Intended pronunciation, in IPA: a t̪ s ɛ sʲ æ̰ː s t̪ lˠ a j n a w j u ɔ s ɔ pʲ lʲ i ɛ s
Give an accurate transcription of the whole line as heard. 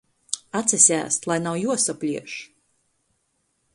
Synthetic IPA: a t̪ s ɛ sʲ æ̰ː s t̪ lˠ a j n a w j u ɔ s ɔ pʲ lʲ i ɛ ʃ